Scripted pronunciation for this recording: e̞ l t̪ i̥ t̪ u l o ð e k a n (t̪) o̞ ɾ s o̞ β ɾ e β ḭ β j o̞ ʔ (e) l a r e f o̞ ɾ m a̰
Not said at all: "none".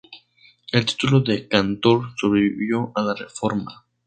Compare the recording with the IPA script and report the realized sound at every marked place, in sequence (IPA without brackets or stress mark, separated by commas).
t̪, a